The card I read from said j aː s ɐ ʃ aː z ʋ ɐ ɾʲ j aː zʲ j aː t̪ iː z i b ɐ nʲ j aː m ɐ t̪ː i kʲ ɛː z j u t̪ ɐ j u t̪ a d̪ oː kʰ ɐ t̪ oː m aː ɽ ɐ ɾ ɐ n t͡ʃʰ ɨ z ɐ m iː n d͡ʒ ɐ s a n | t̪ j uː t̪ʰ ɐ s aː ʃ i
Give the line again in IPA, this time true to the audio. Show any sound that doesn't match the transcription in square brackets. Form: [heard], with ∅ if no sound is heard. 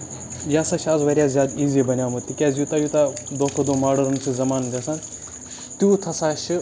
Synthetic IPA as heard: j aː s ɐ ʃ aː z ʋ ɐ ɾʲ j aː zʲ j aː [d̪] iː z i b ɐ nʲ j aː m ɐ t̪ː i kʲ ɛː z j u t̪ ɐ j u t̪ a d̪ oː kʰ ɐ [d̪] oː m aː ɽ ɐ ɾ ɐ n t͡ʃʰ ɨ z ɐ m [aː] n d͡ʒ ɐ s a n | t̪ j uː t̪ʰ ɐ s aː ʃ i